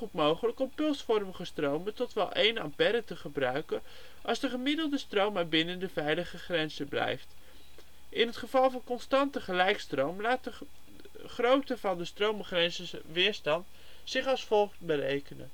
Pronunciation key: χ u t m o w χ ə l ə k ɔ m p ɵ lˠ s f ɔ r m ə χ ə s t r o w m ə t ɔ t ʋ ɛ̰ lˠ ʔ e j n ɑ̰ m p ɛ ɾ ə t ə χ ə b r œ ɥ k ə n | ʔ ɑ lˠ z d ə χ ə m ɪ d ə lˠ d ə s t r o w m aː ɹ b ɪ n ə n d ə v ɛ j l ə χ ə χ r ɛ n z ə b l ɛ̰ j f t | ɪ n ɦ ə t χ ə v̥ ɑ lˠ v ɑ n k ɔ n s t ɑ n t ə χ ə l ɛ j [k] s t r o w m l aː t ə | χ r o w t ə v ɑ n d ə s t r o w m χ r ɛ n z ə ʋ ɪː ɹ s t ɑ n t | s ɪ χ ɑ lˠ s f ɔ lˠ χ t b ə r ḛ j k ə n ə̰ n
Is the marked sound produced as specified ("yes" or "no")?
yes